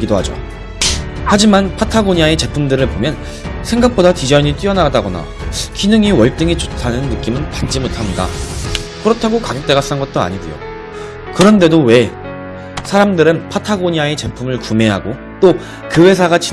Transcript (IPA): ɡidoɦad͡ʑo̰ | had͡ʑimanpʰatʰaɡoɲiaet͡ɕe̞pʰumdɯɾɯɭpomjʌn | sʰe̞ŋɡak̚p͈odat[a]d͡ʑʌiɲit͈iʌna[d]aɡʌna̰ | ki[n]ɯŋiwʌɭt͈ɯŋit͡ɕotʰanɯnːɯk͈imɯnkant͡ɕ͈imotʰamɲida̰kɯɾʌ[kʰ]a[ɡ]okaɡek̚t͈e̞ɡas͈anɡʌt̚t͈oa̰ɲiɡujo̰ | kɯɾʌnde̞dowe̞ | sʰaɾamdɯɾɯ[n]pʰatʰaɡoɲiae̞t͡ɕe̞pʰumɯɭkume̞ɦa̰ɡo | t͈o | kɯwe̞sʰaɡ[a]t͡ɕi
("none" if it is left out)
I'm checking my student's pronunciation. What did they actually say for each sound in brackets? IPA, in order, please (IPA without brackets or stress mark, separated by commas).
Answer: i, d, n, tʰ, ɡ, n, a